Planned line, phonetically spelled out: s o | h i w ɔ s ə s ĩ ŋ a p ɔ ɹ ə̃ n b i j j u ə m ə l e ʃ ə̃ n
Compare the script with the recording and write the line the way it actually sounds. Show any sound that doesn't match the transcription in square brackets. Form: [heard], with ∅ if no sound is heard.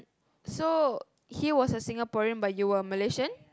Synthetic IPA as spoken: s o | h i w ɔ s ə s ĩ ŋ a p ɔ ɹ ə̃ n b [a] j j u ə m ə l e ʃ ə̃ n